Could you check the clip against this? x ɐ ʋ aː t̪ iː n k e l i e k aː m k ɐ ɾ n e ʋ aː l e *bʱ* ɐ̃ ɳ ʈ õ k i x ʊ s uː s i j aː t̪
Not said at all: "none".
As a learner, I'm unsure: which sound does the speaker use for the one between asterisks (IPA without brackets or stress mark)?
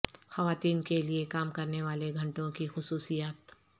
ɡʱ